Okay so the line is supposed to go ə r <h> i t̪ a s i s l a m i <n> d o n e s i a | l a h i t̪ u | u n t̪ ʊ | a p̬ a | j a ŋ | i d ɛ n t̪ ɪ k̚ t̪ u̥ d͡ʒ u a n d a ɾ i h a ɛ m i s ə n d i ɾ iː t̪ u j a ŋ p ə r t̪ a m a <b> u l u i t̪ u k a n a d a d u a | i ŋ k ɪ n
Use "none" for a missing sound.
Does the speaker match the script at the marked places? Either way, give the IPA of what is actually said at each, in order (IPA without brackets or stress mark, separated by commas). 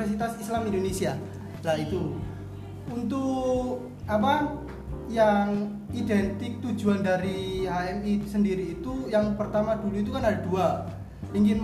s, n, d